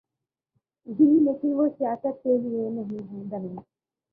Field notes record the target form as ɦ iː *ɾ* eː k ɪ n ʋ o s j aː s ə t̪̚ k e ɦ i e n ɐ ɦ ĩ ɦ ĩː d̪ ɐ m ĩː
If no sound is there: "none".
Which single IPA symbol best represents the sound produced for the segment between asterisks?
l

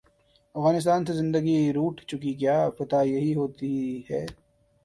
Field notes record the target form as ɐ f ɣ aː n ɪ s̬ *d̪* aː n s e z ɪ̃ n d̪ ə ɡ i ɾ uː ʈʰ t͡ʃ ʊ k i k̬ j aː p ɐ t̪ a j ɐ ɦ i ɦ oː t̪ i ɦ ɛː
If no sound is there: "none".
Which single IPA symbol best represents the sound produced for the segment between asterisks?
t̪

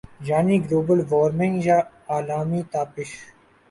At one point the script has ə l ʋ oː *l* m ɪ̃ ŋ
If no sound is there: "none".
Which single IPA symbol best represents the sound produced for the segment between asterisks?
ɾ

